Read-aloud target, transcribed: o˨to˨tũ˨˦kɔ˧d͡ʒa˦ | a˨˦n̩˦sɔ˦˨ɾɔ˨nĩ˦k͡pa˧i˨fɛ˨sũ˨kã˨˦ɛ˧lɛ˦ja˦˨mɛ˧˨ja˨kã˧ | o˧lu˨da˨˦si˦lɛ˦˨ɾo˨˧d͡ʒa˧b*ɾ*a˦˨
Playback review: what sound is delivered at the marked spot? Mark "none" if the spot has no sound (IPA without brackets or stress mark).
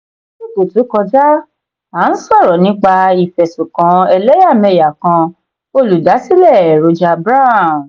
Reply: ɾ